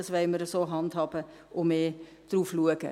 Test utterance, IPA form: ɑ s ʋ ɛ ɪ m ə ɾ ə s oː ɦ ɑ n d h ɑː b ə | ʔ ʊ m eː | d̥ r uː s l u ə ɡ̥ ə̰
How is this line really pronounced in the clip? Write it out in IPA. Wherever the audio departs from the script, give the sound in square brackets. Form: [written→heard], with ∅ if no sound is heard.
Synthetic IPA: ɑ s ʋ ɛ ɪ m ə ɾ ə s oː ɦ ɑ n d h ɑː b ə | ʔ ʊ m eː | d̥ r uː [s→f] l u ə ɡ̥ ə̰